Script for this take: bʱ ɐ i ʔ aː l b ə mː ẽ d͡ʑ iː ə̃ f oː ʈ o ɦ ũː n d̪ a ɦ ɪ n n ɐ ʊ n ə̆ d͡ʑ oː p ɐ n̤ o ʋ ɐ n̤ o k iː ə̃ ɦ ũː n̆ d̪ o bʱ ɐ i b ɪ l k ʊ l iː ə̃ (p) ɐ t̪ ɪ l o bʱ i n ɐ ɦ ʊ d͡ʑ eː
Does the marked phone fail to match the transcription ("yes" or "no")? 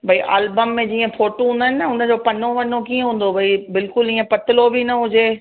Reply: no